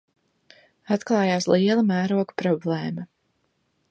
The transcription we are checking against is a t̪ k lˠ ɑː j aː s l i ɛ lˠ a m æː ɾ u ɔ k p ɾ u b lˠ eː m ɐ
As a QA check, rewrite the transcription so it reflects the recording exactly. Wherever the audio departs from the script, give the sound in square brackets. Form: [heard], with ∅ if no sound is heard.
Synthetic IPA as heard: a t̪ k lˠ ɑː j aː s l i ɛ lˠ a m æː ɾ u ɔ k p ɾ [ɔ] b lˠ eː m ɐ